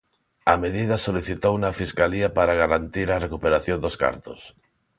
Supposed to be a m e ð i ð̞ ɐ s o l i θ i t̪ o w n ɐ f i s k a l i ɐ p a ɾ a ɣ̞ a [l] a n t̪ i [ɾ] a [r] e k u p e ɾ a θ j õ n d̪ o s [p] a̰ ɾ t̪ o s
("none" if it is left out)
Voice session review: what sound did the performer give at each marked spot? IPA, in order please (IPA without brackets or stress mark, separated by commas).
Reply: ɾ, ɾ, r, k